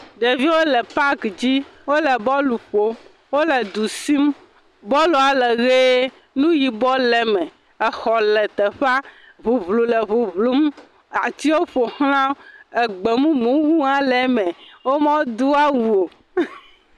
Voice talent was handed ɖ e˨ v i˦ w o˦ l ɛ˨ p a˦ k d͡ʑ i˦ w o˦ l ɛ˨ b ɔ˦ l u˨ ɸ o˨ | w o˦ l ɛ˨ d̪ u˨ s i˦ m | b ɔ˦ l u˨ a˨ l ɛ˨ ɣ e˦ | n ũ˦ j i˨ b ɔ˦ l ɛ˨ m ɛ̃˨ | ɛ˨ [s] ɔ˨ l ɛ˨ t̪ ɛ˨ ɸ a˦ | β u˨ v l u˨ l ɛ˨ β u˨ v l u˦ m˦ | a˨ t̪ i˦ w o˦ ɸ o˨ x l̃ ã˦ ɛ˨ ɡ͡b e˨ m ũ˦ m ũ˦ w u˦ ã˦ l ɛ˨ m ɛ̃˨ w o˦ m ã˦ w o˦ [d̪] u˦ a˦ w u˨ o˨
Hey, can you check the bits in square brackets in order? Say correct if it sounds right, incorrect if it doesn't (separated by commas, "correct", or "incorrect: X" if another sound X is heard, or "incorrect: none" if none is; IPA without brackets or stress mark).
incorrect: x, correct